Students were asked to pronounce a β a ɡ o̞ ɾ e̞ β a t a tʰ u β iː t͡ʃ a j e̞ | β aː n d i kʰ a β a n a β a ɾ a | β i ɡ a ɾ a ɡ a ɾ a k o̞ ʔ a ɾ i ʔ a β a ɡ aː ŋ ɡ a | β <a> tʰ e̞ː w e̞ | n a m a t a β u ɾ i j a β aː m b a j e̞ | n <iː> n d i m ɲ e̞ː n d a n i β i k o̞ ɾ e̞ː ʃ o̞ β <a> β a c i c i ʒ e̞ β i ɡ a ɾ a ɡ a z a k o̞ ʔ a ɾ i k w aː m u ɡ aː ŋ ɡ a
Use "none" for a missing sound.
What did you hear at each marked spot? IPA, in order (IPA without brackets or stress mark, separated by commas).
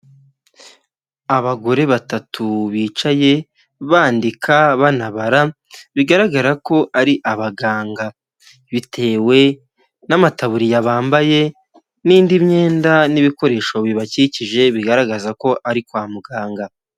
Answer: i, iː, i